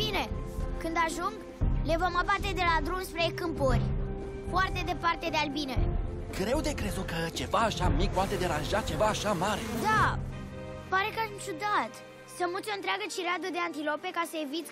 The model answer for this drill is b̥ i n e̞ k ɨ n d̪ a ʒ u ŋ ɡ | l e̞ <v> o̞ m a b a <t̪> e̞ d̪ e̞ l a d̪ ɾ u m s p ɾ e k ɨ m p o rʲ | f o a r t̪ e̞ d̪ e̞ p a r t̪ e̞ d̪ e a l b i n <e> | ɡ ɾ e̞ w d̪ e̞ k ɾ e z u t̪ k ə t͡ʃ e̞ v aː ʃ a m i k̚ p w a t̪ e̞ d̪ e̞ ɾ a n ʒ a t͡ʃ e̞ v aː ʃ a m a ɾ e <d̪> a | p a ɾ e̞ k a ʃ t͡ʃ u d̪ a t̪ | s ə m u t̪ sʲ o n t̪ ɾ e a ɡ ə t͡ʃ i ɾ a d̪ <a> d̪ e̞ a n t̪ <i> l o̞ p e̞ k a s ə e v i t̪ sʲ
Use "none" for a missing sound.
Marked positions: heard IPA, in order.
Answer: v, t̪, e, d̪, ə, i

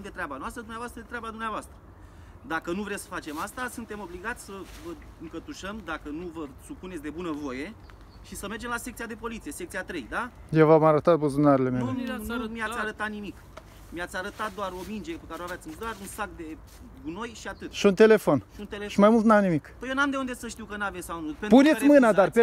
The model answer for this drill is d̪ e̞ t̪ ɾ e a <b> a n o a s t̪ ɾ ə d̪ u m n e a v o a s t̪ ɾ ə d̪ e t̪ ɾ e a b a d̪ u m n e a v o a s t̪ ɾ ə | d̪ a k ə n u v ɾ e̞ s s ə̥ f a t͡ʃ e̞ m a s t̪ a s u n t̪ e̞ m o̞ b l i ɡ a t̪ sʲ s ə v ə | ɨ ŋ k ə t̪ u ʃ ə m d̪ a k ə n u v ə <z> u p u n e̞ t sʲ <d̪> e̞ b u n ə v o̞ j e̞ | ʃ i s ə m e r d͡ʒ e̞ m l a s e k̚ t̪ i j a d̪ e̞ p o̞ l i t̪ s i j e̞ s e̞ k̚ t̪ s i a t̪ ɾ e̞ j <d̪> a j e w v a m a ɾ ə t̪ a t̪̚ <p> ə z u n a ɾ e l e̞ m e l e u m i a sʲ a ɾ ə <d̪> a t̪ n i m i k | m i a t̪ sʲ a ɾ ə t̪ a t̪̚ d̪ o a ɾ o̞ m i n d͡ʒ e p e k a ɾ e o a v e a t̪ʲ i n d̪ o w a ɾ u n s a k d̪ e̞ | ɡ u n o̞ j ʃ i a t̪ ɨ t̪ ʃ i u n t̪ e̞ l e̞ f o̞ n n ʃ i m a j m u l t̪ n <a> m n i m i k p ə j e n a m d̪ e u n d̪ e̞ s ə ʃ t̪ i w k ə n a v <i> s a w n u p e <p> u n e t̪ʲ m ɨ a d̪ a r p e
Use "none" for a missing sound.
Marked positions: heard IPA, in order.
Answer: b, s, d̪, d̪, b, t̪, a, e, p

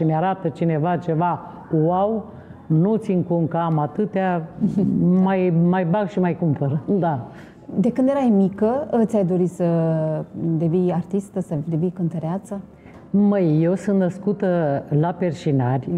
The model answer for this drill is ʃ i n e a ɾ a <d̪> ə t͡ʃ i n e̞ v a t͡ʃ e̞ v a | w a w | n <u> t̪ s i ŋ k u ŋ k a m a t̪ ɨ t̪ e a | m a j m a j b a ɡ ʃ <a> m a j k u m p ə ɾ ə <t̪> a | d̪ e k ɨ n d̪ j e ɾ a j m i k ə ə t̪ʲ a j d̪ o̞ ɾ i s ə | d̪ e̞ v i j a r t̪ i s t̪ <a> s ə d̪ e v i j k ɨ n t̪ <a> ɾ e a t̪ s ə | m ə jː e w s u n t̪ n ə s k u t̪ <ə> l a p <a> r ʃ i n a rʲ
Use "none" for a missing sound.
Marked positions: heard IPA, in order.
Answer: t̪, u, i, d̪, ə, ə, ə, e

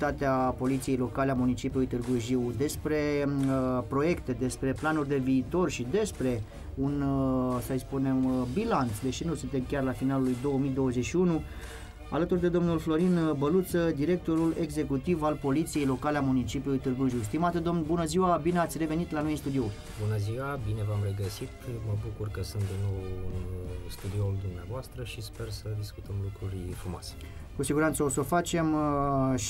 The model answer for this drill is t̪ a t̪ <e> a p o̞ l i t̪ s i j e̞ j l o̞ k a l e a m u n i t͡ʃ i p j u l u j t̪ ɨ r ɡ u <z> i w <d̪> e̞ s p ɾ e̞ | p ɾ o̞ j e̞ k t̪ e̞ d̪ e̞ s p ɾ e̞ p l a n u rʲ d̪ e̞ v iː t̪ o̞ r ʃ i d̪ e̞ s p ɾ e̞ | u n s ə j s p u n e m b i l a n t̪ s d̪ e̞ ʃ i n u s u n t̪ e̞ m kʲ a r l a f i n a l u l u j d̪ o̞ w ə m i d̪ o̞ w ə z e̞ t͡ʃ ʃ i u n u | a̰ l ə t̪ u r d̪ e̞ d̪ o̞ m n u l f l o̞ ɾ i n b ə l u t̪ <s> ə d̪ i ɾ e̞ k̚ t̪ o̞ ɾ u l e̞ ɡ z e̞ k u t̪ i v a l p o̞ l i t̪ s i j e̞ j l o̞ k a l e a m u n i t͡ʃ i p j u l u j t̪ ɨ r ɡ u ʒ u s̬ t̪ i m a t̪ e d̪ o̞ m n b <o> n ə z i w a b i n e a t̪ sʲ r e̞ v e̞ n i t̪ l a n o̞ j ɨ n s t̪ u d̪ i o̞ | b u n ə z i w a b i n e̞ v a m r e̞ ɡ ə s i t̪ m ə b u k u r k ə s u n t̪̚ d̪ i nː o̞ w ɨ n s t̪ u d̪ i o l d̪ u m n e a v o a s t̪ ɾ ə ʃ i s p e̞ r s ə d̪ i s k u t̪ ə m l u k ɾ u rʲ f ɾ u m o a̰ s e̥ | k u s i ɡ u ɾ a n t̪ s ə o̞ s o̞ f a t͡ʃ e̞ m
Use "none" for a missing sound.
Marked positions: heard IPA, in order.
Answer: e, ʒ, d̪, s, u

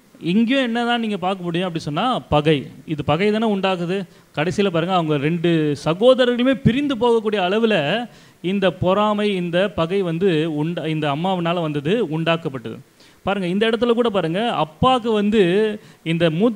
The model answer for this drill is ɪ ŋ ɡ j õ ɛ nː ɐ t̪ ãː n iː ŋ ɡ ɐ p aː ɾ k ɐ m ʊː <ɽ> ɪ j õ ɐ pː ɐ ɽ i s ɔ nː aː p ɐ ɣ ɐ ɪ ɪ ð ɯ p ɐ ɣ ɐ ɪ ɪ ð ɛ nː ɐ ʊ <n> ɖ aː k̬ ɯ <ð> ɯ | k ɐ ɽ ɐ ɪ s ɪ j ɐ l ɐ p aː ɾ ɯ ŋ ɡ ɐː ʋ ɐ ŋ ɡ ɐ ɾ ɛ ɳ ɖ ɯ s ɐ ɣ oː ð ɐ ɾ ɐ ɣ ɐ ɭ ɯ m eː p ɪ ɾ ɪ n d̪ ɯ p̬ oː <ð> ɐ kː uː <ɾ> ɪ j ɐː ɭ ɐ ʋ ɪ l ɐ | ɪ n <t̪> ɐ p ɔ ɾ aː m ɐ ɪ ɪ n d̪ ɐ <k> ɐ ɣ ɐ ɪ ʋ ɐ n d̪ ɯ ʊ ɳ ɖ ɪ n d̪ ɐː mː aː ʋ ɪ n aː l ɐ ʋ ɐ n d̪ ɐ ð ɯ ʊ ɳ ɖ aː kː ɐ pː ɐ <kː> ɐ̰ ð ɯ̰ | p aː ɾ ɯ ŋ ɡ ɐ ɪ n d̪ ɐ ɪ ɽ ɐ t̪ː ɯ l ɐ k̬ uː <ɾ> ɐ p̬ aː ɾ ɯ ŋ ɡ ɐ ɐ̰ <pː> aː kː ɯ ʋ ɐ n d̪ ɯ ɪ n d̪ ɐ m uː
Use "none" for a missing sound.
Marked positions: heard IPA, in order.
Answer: ɽ, ɳ, ð, ɣ, ɽ, d̪, p, ʈː, ɽ, pː

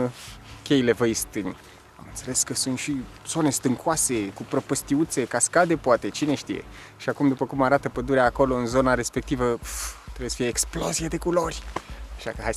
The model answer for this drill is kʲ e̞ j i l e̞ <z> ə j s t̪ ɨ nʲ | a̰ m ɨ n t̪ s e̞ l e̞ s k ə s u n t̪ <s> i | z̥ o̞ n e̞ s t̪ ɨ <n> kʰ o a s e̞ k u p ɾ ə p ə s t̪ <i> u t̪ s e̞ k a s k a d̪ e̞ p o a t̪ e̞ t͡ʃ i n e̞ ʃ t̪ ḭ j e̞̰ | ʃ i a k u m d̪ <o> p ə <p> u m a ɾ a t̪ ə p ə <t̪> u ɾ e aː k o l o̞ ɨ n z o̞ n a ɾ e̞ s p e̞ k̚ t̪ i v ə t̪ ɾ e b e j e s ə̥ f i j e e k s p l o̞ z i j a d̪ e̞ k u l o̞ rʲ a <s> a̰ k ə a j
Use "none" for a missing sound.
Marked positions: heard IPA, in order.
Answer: v, ʃ, ŋ, i, u, k, d̪, ʃ

